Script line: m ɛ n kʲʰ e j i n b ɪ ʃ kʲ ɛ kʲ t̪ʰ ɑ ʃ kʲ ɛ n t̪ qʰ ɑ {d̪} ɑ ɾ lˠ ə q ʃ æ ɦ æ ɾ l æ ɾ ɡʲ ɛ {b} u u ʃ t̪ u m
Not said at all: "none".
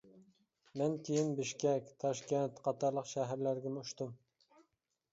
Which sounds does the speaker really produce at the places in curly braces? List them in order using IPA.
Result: t̪, m

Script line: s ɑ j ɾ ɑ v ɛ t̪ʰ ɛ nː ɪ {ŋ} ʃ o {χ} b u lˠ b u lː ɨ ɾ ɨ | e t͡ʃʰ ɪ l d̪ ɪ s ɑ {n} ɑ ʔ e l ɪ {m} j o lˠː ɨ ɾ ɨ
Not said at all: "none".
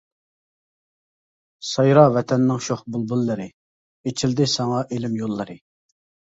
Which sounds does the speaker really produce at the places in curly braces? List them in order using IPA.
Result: ŋ, χ, ŋ, m

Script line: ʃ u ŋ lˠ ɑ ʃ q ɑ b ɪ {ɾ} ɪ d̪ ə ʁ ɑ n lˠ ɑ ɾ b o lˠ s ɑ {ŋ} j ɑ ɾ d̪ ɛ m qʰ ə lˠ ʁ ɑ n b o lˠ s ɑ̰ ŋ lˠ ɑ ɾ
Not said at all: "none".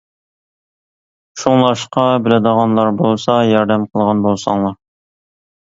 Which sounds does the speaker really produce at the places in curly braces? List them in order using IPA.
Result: l, none

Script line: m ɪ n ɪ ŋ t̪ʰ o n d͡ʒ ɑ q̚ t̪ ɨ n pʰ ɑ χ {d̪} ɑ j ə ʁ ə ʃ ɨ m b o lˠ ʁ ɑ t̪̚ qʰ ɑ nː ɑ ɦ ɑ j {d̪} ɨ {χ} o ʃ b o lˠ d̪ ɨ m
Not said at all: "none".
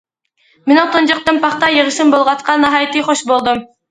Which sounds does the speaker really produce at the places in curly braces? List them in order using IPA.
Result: t̪, t̪, χ

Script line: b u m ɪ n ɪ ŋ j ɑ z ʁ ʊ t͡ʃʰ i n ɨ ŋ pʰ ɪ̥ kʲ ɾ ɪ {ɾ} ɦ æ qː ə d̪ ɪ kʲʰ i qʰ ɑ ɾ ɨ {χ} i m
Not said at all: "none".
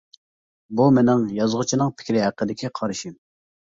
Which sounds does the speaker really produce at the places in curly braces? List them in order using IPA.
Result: none, ʃ

